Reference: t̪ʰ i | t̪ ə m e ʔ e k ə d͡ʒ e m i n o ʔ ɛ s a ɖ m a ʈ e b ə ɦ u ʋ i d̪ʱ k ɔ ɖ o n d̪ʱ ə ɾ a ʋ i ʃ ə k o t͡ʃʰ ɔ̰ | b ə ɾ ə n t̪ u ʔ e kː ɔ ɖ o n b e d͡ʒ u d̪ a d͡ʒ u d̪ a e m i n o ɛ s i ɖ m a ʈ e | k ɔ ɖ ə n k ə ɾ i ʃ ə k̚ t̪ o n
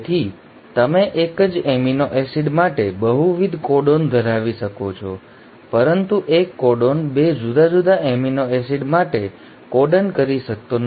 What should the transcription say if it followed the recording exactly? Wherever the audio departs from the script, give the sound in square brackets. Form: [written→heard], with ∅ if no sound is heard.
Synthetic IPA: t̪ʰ i | t̪ ə m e ʔ e k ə d͡ʒ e m i n o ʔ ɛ s [a→i] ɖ m a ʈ e b ə ɦ u ʋ i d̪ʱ k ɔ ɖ o n d̪ʱ ə ɾ a ʋ i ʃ ə k o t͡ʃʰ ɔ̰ | [b→p] ə ɾ ə n t̪ u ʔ e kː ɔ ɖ o n b e d͡ʒ u d̪ a d͡ʒ u d̪ a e m i n o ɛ s i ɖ m a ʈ e | k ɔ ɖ ə n k ə ɾ i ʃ ə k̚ t̪ o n

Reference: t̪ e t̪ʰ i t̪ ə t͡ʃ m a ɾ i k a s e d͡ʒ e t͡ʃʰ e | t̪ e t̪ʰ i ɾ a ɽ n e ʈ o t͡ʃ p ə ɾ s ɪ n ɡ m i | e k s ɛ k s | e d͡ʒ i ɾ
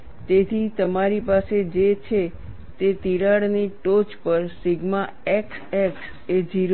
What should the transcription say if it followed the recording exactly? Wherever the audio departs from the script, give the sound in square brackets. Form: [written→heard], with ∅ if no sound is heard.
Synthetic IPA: t̪ e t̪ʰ i t̪ ə [t͡ʃ→∅] m a ɾ i [k→p] a s e d͡ʒ e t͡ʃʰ e | t̪ e [t̪ʰ→t̪] i ɾ a ɽ n [e→i] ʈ o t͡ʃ p ə ɾ s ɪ [n→∅] ɡ m [i→a] | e k s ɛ k s | e d͡ʒ i ɾ

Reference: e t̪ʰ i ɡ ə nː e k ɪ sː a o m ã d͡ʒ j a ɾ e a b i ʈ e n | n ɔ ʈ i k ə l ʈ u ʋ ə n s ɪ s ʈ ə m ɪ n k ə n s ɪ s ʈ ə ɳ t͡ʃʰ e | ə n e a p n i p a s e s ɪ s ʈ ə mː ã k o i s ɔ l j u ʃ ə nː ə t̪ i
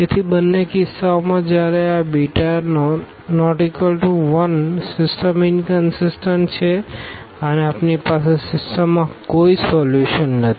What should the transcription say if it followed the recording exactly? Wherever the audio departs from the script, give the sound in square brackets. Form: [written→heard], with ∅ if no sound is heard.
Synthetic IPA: e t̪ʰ i [ɡ→b] ə nː e k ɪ sː a o m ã d͡ʒ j a ɾ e a b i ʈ [e→a] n | n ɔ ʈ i k ə l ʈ u ʋ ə n s ɪ s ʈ ə m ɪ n k ə n s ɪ s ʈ ə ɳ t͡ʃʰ e | ə n e a p n i p a s e s ɪ s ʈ ə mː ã k o i s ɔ l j u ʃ ə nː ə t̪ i

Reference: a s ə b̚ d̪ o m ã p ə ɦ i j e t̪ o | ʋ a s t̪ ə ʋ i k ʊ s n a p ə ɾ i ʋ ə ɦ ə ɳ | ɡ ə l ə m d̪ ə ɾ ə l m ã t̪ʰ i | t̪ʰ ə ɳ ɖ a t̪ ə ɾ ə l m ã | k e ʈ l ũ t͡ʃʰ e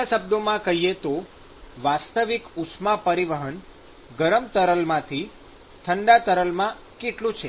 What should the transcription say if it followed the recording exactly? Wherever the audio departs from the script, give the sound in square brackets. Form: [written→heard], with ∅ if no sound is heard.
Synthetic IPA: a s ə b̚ d̪ o m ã [p→k] ə ɦ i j e t̪ o | ʋ a s t̪ ə ʋ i k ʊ s [n→m] a p ə ɾ i ʋ ə ɦ ə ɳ | ɡ ə [l→ɾ] ə m [d̪→t̪] ə ɾ ə l m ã t̪ʰ i | t̪ʰ ə ɳ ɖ a t̪ ə ɾ ə l m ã | k e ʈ l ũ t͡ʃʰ e

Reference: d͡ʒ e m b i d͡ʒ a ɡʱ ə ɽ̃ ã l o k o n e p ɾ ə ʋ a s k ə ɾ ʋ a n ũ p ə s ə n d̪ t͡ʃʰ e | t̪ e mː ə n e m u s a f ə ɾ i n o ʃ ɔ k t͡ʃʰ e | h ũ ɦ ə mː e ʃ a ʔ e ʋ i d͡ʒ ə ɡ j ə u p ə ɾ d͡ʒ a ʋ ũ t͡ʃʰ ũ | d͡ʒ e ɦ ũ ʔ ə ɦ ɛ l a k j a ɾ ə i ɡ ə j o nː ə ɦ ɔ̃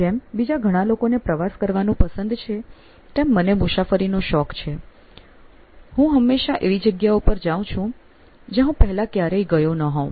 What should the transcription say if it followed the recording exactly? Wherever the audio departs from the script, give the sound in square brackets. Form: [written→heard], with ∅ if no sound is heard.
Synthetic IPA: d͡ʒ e m b i d͡ʒ a ɡʱ ə ɽ̃ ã l o k o n e p ɾ ə ʋ a s k ə ɾ ʋ a n ũ p ə s ə n d̪ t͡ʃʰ e | t̪ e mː ə n e m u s a f ə ɾ i n o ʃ ɔ k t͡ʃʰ e | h ũ ɦ ə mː e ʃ a ʔ e ʋ i d͡ʒ ə ɡ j [ə→a] u p ə ɾ d͡ʒ a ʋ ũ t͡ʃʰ ũ | d͡ʒ e ɦ ũ [ʔ→p] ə ɦ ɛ l a k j a ɾ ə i ɡ ə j o [nː→n] ə ɦ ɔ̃

